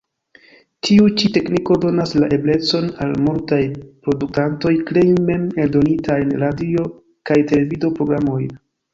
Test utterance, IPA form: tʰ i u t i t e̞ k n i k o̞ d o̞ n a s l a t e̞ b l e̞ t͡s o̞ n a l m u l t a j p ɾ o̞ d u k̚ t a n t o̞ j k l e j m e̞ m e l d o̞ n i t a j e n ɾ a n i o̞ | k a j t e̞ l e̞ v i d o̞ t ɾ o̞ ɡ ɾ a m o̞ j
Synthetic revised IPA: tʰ i u t͡ʃ i t e̞ k n i k o̞ d o̞ n a s l a ʔ e̞ b l e̞ t͡s o̞ n a l m u l t a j p ɾ o̞ d u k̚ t a n t o̞ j k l e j m e̞ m e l d o̞ n i t a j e n ɾ a d i o̞ | k a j t e̞ l e̞ v i d o̞ p ɾ o̞ ɡ ɾ a m o̞ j